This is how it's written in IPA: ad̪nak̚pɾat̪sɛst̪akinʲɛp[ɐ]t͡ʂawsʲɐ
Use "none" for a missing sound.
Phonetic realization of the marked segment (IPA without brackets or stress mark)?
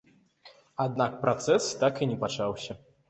a